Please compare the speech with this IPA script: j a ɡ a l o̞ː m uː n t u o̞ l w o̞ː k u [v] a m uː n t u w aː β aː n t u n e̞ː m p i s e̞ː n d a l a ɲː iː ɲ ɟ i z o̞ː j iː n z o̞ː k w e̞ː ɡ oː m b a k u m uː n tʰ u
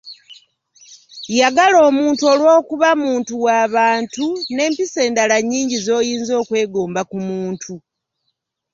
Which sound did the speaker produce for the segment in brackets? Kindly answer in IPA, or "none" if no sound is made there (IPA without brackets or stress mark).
β